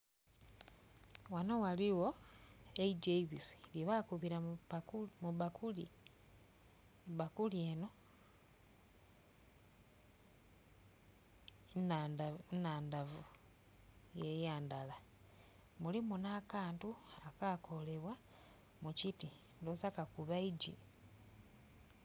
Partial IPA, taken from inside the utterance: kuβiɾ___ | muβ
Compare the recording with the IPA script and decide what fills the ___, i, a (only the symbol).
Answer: a